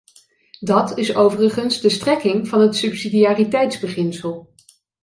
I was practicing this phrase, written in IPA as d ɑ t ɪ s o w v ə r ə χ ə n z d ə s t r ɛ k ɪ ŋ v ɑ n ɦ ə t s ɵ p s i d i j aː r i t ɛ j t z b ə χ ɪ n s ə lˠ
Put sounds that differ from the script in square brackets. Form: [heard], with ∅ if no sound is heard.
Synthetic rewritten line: d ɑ t ɪ s o w v ə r ə χ ə n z d ə s t r ɛ k ɪ ŋ v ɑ n ɦ ə t s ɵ p s i d i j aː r i t ɛ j t z b ə χ ɪ n s ə lˠ